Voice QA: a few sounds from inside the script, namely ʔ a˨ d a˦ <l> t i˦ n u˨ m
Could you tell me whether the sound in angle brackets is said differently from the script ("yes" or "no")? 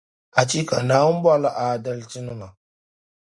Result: no